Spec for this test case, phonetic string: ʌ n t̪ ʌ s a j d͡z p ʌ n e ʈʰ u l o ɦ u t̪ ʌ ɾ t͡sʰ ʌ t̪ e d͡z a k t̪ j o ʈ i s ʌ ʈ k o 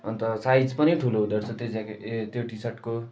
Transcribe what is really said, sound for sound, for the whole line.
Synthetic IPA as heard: ʌ n t̪ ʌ s a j d͡z p ʌ n i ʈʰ u l o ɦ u d̪ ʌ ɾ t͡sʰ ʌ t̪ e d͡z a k t̪ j o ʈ i s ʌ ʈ k o